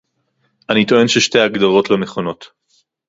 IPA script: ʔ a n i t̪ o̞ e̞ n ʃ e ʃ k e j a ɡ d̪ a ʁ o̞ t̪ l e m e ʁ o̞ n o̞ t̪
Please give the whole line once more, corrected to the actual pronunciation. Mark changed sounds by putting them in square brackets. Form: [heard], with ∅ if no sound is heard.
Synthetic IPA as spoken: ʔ a n i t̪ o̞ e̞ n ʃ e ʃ [t] e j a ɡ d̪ a ʁ o̞ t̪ l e m e [χ] o̞ n o̞ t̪

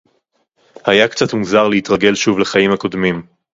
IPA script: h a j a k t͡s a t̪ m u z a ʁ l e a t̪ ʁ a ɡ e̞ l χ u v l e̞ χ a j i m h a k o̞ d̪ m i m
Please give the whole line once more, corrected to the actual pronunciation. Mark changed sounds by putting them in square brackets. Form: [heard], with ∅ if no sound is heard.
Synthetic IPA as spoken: h a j a k t͡s a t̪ m u z a ʁ l e [i] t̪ ʁ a ɡ e̞ l [ʃ] u v l e̞ χ a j i m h a k o̞ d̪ m i m

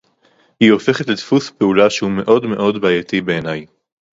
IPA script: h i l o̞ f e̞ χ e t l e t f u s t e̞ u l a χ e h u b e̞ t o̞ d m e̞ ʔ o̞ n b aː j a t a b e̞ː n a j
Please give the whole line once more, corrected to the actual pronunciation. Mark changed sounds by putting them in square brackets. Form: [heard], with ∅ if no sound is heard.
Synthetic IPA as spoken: h i [∅] o̞ f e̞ χ e t l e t f u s [p] e̞ u l a [ʃ] e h u [m] e̞ [ʔ] o̞ d m e̞ ʔ o̞ [d] b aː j a t [i] b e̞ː n a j

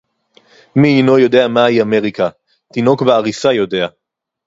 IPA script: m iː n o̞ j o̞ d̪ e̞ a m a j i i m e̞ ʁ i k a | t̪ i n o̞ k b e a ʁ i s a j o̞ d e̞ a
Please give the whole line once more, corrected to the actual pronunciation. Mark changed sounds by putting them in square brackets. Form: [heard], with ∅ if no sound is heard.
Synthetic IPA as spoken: m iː n o̞ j o̞ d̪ e̞ a m a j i [a] m e̞ ʁ i k a | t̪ i n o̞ k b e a ʁ i s a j o̞ d e̞ a

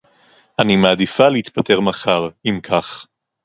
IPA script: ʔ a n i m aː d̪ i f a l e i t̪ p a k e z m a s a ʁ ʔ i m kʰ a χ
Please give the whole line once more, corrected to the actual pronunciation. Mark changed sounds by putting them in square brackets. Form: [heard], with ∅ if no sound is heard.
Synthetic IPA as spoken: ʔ a n i m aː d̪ i f a l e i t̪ p a [t] e [ʁ] m a [χ] a ʁ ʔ i m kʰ a χ

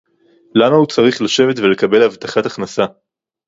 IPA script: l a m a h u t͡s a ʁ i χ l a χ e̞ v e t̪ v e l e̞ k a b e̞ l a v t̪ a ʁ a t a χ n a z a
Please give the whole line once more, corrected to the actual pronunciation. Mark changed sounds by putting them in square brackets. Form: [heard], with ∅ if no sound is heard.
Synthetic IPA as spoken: l a m a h u t͡s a ʁ i χ l a [ʃ] e̞ v e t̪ v e l e̞ k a b e̞ l a v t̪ a [χ] a t a χ n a [s] a

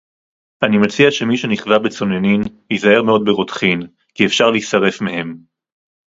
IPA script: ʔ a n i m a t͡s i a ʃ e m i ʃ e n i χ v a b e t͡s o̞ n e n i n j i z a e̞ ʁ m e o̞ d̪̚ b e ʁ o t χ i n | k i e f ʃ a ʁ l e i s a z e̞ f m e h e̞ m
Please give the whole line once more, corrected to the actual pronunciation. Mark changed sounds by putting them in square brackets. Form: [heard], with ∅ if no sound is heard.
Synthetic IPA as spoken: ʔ a n i m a t͡s i a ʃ e m i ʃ e n i χ v a b e t͡s o̞ n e n i n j i z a e̞ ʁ m e o̞ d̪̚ b e ʁ o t χ i n | k i e f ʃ a ʁ l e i s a [ʁ] e̞ f m e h e̞ m

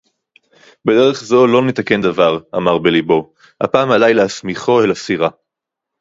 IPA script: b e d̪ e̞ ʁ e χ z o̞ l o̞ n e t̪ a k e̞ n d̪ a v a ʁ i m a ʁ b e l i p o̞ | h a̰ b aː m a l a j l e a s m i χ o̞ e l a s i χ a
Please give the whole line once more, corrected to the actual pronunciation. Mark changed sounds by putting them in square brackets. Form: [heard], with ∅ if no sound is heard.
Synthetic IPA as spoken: b e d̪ e̞ ʁ e χ z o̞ l o̞ n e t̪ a k e̞ n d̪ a v a ʁ [a] m a ʁ b e l i [b] o̞ | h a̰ [p] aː m a l a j l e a s m i χ o̞ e l a s i [ʁ] a

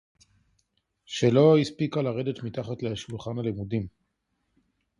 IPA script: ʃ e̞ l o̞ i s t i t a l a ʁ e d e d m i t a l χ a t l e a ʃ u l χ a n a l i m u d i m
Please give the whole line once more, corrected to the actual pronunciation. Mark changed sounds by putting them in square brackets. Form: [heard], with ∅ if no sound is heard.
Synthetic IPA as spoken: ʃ e̞ l o̞ i s [p] i [k] a l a ʁ e d e [t] m i t a [∅] χ a t l e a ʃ u l χ a n a l i m u d i m

